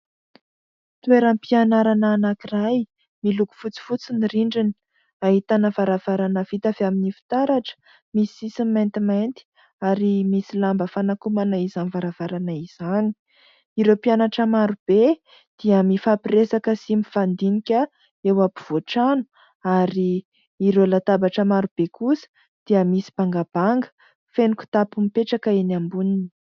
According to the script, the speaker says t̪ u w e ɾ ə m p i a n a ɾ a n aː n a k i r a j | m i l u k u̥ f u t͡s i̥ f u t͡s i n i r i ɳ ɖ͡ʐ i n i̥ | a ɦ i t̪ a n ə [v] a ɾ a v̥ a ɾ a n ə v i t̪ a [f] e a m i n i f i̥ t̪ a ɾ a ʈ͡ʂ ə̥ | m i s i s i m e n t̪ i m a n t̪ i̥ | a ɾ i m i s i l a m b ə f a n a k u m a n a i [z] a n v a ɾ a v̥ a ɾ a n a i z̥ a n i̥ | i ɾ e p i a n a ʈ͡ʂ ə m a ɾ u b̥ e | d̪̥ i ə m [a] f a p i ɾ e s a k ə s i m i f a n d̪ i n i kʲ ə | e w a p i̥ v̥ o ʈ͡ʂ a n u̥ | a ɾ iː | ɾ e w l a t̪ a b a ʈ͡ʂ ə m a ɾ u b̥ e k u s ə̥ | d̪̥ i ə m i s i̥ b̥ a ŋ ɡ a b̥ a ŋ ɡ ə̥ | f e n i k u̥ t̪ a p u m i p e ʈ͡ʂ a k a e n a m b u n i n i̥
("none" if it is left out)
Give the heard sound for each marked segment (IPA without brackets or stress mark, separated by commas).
v, v, z, i